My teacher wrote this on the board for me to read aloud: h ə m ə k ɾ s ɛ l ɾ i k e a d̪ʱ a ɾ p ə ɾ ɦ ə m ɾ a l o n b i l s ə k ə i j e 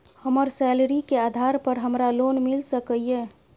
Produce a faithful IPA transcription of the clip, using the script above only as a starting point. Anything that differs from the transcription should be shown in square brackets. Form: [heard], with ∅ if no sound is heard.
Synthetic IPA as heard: h ə m ə [∅] ɾ s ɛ l ɾ i k e a d̪ʱ a ɾ p ə ɾ ɦ ə m ɾ a l o n [m] i l s ə k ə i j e